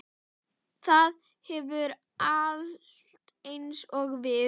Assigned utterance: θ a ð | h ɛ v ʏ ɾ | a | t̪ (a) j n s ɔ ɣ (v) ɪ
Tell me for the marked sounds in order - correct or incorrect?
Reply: incorrect, correct

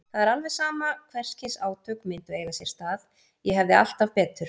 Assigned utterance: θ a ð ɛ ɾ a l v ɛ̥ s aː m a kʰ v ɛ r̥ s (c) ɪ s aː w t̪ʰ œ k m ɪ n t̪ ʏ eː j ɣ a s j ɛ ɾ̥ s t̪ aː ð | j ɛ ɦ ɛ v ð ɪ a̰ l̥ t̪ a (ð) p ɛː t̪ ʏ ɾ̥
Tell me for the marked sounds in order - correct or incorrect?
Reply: correct, incorrect

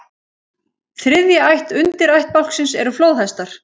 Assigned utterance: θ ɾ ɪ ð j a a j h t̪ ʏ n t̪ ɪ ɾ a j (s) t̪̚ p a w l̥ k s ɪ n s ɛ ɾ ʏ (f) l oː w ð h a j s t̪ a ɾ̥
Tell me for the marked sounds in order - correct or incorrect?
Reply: incorrect, correct

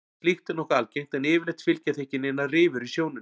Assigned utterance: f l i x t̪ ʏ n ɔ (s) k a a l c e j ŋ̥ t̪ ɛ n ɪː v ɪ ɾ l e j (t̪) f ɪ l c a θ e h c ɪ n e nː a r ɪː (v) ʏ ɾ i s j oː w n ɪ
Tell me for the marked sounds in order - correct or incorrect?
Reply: incorrect, correct, correct

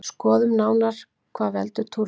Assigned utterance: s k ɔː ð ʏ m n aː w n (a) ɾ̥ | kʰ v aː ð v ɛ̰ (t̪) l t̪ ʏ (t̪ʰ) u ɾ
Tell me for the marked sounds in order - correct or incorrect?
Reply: correct, incorrect, correct

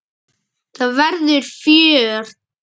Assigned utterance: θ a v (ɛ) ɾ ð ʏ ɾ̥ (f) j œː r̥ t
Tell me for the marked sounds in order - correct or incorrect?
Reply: correct, correct

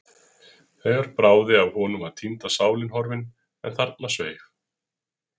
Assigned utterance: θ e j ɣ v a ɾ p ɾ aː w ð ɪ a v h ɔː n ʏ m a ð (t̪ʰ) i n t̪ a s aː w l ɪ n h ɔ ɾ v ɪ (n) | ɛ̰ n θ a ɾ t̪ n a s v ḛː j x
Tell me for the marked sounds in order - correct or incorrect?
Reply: correct, correct

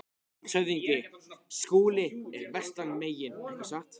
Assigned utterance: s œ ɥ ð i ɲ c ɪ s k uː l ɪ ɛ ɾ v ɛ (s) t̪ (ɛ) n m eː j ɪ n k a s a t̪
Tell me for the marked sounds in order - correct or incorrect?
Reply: correct, incorrect

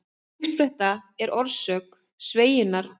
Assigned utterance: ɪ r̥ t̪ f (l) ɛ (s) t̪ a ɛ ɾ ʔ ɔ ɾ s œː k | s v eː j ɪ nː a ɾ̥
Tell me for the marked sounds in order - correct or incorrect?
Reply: incorrect, incorrect

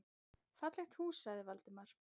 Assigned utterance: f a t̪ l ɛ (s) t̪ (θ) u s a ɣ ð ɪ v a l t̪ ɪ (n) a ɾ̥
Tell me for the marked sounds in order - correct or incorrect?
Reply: incorrect, incorrect, incorrect

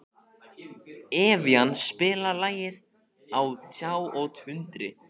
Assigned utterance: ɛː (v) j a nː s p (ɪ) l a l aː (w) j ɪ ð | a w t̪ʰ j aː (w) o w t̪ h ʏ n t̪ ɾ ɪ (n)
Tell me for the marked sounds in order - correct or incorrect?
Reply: correct, incorrect, incorrect, correct, incorrect

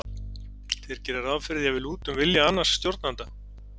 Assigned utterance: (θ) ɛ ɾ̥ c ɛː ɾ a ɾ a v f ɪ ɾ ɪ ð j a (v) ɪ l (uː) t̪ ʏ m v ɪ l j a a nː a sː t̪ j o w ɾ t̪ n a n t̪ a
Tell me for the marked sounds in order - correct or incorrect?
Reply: correct, correct, correct

